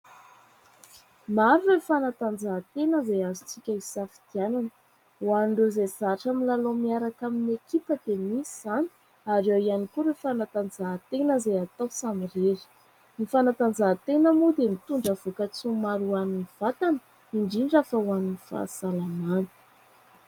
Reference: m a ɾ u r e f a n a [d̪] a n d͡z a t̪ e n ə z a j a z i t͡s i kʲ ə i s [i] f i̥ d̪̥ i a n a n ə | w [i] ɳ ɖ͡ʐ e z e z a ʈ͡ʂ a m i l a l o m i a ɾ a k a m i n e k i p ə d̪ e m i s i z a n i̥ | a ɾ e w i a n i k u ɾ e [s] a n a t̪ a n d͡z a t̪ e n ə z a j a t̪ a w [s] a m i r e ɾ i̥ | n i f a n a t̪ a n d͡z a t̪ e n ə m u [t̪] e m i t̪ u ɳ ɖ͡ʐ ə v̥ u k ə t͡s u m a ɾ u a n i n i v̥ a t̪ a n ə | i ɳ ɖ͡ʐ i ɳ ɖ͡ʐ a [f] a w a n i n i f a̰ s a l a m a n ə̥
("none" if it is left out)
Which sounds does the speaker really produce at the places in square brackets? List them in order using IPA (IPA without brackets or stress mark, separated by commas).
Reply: t̪, a, a, f, s, d̪, f